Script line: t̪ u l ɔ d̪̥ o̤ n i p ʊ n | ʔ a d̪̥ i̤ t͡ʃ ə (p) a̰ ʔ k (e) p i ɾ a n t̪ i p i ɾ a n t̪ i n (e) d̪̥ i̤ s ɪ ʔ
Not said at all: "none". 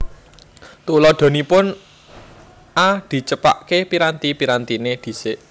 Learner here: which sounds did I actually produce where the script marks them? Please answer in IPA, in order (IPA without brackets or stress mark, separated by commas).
p, e, e